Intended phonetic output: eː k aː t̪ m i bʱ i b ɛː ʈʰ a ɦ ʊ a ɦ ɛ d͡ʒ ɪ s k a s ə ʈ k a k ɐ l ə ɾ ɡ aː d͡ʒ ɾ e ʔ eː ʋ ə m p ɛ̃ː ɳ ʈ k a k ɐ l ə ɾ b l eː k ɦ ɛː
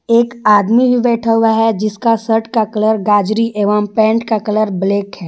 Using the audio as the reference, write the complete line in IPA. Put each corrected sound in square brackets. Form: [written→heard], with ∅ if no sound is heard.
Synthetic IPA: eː k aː [t̪→d̪] m i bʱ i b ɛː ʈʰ a ɦ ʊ a ɦ ɛ d͡ʒ ɪ s k a s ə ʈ k a k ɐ l ə ɾ ɡ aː d͡ʒ ɾ [e→i] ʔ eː ʋ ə m p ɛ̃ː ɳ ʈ k a k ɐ l ə ɾ b l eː k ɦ ɛː